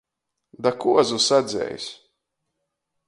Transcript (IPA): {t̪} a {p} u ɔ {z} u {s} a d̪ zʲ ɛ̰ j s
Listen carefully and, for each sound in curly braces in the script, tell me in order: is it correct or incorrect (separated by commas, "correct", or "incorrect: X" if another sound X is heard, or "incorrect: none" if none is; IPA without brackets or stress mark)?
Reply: incorrect: d̪, incorrect: k, correct, correct